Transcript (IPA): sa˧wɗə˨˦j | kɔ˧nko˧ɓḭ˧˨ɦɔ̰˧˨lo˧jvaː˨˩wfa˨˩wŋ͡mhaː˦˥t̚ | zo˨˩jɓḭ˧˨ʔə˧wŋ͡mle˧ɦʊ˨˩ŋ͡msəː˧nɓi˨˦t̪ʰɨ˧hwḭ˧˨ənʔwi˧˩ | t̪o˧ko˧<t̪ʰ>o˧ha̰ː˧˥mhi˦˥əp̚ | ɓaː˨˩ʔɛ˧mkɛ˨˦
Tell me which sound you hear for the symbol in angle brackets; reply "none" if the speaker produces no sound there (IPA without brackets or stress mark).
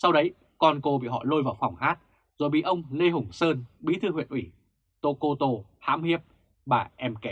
t̪